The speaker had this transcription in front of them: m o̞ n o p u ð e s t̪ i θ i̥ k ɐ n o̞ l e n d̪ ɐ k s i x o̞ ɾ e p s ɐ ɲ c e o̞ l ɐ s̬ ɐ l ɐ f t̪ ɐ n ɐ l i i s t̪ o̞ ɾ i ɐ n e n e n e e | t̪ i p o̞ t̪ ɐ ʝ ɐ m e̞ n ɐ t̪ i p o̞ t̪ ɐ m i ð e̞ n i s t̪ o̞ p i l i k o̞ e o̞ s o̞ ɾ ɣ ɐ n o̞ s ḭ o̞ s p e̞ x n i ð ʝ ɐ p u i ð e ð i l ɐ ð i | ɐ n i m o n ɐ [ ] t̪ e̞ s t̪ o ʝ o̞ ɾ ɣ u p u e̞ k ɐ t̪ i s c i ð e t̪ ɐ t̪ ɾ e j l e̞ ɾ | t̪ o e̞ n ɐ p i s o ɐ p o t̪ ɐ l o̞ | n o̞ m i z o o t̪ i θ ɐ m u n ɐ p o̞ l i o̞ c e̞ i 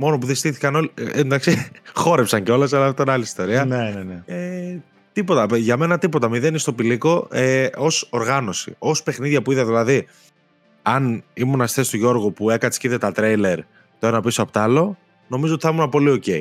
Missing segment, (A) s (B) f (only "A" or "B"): A